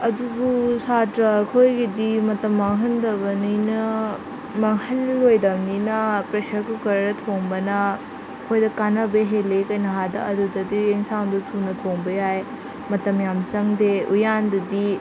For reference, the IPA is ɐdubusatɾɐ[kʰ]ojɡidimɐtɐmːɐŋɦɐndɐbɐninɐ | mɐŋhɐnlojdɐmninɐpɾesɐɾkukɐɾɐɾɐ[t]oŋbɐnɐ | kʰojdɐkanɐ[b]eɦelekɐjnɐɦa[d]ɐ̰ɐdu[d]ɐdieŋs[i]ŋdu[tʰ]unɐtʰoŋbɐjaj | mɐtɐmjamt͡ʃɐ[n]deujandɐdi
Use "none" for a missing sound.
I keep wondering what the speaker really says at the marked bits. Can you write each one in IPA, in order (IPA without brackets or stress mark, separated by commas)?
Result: kʰ, tʰ, b, d, d, a, tʰ, ŋ